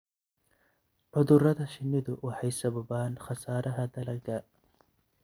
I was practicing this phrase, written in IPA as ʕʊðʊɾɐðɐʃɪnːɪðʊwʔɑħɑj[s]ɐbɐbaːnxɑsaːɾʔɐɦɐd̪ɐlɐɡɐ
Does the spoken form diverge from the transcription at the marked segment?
no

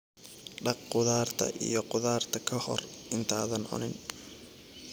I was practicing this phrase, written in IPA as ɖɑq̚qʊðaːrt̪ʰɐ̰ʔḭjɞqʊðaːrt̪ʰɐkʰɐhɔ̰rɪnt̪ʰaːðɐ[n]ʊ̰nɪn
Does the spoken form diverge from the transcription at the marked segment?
no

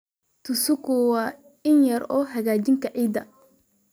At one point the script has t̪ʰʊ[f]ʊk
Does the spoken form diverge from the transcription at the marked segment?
yes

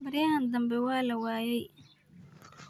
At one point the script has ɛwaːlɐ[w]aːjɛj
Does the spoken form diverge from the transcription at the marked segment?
no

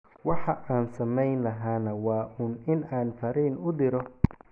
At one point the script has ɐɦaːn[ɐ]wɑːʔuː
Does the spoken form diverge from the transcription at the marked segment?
no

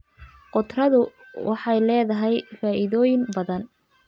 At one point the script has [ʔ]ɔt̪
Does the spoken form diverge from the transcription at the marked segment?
yes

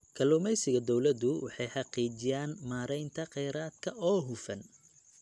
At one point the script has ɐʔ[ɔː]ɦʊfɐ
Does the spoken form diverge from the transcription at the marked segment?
no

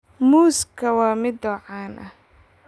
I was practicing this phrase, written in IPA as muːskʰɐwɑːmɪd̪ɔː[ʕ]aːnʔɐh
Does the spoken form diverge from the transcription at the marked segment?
no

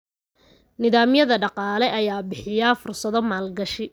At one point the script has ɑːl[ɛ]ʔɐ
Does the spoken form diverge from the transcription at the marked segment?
no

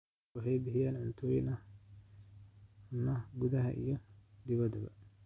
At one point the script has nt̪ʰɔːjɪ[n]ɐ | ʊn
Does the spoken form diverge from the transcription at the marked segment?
no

